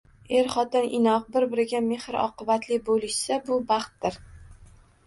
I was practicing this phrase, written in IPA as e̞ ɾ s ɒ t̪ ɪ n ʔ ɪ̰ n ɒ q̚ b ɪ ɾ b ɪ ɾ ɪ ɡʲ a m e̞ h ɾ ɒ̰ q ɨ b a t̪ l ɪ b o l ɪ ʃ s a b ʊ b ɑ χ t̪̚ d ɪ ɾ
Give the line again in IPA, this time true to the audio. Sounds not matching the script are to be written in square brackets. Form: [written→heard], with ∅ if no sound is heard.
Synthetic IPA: e̞ ɾ [s→χ] ɒ t̪ ɪ n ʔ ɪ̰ n ɒ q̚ b ɪ ɾ b ɪ ɾ ɪ ɡʲ a m e̞ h ɾ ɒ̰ q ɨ b a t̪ l ɪ b o l ɪ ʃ s a b ʊ b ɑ χ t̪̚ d ɪ ɾ